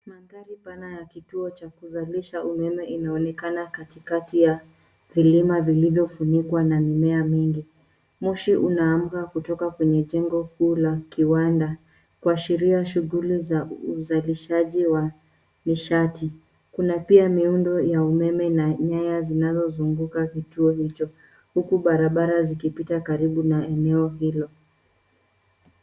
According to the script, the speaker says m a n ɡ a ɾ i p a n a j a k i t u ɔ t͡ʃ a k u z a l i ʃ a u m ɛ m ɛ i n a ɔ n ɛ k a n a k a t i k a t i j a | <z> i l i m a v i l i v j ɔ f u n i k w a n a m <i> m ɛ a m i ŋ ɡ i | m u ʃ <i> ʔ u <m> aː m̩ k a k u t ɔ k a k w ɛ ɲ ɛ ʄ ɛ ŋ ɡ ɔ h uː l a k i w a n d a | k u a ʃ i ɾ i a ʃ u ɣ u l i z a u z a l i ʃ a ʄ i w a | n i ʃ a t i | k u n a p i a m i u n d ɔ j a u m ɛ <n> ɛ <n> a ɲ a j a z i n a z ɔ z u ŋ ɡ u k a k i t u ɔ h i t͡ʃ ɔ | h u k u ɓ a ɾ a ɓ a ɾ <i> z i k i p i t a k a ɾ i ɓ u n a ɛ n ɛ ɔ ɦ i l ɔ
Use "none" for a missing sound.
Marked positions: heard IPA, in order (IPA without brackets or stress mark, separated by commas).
v, i, i, n, m, n, a